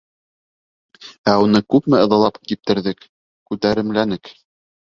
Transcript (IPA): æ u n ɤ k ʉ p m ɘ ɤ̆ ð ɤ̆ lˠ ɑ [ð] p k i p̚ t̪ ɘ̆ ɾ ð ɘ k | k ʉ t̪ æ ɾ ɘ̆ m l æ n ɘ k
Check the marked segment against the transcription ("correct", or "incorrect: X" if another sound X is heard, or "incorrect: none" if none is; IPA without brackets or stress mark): incorrect: none